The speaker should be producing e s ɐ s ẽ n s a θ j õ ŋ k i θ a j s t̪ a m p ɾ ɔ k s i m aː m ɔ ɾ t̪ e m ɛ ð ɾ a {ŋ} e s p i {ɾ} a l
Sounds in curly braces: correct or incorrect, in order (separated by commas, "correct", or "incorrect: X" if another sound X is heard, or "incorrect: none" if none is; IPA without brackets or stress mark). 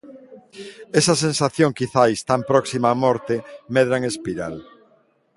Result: correct, correct